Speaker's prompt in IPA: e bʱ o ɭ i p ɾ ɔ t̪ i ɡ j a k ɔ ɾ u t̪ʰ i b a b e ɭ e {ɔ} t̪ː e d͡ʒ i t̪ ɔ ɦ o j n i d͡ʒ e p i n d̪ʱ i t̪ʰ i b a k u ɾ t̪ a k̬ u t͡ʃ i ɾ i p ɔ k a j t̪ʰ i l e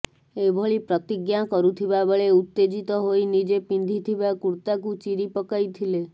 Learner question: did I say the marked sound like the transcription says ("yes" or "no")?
no